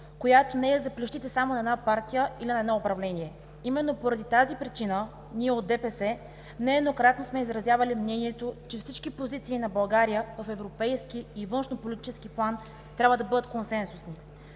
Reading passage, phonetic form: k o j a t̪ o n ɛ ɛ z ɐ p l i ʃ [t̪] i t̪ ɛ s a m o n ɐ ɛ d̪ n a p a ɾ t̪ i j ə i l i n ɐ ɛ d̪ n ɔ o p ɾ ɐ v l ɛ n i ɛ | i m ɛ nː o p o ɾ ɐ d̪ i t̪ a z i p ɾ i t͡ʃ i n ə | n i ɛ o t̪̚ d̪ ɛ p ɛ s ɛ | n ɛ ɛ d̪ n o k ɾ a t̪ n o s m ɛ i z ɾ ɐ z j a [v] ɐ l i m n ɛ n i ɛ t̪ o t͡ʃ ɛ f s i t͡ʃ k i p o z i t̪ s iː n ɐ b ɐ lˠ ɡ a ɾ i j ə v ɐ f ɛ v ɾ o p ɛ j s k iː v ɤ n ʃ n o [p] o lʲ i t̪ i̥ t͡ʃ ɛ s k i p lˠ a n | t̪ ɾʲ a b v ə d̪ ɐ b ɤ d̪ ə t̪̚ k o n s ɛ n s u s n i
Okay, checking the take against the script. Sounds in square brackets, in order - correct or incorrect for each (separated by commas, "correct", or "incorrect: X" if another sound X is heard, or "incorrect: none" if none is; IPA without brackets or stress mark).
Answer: correct, correct, correct